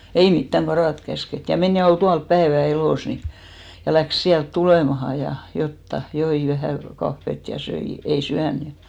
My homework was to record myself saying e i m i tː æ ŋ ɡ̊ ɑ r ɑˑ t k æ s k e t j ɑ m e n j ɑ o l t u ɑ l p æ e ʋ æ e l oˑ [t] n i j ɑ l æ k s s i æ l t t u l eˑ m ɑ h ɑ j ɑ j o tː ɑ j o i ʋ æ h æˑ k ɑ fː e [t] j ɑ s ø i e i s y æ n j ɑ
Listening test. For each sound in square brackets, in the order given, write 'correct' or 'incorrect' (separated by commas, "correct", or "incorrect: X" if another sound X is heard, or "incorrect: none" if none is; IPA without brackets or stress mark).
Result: incorrect: s, correct